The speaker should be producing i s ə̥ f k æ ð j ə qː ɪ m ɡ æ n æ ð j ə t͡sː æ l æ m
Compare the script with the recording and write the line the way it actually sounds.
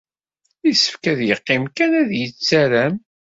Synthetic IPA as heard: i s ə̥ f k æ ð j ə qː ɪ m k æ n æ ð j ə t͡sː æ ɾ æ m